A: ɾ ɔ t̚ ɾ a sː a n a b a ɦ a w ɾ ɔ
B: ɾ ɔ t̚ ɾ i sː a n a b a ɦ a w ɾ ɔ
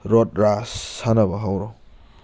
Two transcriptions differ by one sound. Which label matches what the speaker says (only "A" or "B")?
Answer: A